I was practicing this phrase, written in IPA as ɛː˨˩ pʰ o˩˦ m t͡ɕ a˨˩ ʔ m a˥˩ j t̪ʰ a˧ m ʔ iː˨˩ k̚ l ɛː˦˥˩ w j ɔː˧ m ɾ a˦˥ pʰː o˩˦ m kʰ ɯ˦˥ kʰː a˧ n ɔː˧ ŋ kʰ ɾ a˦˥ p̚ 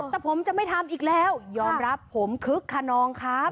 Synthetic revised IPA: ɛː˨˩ pʰ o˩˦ m t͡ɕ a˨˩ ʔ m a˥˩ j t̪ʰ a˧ m ʔ iː˨˩ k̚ l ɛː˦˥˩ w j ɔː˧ m ɾ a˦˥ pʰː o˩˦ m kʰ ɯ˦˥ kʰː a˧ n ɔː˧ ŋ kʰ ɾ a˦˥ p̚